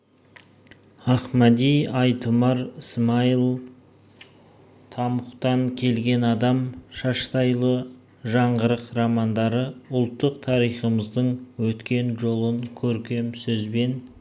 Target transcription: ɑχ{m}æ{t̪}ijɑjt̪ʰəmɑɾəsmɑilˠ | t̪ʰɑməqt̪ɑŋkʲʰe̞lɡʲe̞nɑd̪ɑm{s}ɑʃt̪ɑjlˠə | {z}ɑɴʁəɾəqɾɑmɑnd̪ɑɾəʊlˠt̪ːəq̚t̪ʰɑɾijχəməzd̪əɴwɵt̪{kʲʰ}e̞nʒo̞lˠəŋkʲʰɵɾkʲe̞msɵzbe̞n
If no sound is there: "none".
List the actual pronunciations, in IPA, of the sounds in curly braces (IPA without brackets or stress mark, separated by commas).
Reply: m, d̪, ʃ, ʒ, kʲ